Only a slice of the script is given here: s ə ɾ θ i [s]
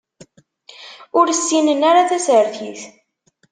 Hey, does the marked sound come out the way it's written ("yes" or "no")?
no